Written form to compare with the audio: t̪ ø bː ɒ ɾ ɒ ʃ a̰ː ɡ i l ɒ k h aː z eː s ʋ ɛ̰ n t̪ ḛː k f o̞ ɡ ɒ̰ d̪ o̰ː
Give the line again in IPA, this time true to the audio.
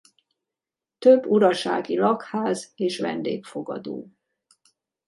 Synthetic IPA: t̪ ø bː u ɾ ɒ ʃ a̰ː ɡ i l ɒ k h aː z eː ʃ ʋ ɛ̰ n d̪ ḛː k f o̞ ɡ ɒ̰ d̪ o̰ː